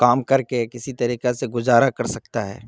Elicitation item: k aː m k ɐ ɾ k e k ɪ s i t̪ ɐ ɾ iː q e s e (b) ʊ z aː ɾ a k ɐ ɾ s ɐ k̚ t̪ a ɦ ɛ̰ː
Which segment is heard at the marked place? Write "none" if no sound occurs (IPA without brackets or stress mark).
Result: ɡ